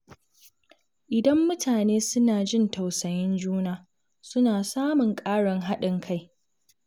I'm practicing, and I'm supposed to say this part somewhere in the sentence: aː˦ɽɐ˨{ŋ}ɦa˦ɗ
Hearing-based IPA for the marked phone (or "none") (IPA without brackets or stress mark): ŋ